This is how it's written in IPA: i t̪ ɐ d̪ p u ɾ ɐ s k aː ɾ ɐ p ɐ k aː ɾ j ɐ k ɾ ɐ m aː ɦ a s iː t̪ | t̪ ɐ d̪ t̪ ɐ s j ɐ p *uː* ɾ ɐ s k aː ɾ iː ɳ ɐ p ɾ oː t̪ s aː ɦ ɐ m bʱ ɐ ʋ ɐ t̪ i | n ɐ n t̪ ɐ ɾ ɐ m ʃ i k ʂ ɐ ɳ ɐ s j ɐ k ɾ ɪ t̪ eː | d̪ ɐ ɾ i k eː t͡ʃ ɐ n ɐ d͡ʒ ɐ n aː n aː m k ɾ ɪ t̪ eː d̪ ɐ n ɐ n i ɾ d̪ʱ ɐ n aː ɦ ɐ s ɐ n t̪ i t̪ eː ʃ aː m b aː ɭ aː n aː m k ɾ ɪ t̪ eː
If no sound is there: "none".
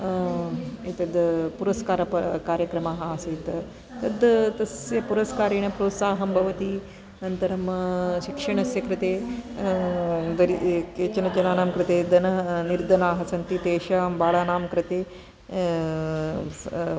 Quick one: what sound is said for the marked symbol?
u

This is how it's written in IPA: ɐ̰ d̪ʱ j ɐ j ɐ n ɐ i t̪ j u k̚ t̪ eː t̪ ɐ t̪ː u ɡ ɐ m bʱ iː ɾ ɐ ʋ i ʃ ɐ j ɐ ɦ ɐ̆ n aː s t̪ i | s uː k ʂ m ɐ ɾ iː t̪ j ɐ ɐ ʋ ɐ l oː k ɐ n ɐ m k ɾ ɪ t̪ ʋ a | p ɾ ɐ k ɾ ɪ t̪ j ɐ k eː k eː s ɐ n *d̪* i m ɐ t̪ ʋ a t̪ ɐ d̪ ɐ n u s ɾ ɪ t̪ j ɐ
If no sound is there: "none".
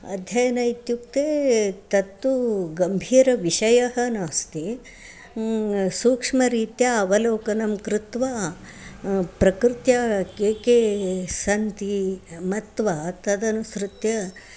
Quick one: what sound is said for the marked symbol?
t̪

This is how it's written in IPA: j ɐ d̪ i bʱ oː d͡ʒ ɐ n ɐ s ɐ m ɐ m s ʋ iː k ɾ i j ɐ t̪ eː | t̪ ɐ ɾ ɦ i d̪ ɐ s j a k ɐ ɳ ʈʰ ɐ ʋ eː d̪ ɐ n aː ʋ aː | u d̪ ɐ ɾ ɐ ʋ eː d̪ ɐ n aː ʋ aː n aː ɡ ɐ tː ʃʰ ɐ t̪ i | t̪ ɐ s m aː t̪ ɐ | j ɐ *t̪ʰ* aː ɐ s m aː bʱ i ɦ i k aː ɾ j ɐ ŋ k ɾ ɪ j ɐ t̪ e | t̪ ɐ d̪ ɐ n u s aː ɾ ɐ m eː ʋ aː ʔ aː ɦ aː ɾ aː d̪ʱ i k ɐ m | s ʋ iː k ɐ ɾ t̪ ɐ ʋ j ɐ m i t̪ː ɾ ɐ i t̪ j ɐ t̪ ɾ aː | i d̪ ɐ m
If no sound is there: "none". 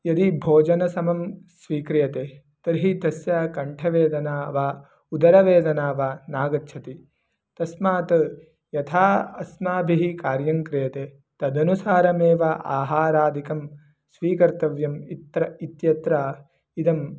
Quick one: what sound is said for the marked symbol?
t̪ʰ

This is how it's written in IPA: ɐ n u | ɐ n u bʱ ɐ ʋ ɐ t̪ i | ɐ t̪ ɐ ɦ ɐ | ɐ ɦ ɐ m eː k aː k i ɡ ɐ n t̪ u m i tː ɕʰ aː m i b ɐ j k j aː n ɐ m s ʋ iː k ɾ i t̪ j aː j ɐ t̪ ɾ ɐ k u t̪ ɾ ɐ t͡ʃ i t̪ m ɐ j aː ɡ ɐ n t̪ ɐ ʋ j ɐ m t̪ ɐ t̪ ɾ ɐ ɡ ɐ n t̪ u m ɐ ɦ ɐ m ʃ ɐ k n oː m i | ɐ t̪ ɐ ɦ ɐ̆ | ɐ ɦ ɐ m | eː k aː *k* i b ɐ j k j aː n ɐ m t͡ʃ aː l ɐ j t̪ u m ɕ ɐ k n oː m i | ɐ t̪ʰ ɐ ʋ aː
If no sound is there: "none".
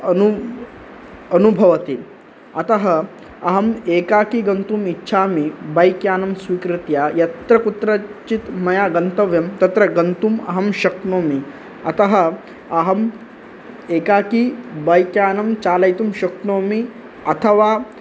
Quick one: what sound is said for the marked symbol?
k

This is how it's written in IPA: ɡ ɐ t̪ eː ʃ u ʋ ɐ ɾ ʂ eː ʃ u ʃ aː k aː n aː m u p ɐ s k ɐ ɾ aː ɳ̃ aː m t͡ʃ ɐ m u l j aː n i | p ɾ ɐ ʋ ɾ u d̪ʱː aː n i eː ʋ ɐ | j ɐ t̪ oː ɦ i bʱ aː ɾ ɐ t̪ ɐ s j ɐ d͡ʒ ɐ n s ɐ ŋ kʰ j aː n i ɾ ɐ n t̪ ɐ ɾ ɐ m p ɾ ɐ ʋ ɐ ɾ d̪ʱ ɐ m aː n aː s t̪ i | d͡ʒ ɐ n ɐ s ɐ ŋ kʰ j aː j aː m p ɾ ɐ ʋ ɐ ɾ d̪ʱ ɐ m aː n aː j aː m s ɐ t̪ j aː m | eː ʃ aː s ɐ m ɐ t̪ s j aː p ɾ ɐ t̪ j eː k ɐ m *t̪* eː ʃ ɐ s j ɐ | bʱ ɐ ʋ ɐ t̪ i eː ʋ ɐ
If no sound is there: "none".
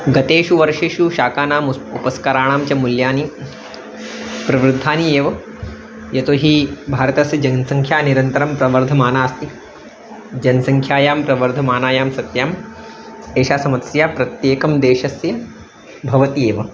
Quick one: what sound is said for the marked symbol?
d̪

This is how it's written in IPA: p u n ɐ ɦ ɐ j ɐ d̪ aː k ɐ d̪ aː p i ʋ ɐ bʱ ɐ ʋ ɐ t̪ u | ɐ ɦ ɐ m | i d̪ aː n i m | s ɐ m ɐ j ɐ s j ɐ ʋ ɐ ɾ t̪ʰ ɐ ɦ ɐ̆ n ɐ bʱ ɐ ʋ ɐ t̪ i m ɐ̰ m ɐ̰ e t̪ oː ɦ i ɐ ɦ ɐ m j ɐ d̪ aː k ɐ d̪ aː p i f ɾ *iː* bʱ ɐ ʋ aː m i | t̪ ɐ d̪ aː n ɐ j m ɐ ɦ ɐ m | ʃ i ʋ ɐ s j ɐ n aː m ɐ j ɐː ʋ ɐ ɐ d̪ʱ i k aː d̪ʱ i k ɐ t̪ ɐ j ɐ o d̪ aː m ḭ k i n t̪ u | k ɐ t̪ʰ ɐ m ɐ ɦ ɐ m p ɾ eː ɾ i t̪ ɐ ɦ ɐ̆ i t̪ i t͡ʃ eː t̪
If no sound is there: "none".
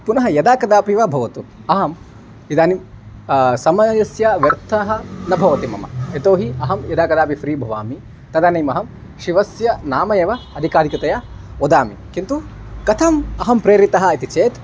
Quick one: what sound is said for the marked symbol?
iː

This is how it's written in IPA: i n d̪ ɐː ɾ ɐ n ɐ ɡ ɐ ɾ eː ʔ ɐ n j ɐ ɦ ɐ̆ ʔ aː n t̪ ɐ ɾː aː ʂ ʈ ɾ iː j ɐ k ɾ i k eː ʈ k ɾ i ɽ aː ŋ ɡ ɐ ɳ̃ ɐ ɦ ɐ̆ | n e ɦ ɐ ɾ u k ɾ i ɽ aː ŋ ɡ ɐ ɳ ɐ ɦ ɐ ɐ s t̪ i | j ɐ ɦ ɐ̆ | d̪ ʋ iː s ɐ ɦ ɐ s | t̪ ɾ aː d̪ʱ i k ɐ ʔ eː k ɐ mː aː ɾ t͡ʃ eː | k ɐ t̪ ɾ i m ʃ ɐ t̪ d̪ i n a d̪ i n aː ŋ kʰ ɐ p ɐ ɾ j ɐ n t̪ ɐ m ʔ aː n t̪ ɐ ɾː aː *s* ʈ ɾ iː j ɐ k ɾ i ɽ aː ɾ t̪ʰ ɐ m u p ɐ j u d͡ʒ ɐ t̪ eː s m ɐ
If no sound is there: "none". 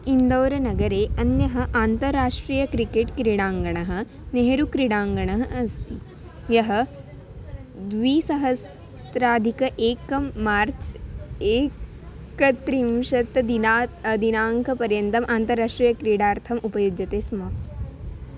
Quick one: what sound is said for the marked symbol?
ʂ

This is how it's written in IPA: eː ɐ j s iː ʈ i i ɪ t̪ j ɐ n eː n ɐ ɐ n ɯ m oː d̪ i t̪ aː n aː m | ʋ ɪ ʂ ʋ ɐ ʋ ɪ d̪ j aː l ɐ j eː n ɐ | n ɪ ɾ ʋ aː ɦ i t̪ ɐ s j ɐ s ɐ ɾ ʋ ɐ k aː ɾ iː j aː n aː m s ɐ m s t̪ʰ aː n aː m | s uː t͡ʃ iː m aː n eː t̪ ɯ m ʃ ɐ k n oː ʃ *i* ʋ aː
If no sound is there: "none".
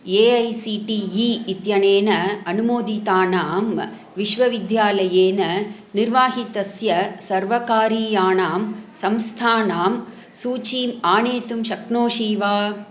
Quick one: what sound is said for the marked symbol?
iː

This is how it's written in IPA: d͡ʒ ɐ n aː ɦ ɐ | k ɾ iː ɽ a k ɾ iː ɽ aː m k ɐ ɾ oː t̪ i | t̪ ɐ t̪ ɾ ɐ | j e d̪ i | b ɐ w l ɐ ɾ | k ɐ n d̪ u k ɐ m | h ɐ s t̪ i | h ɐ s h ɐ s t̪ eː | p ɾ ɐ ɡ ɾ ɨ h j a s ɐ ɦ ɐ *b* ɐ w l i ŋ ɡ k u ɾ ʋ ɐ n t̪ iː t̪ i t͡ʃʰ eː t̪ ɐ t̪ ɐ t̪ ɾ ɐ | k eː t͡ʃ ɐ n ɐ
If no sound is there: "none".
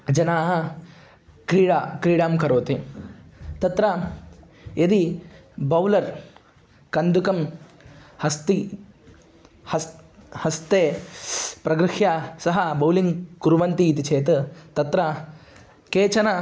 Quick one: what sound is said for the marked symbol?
b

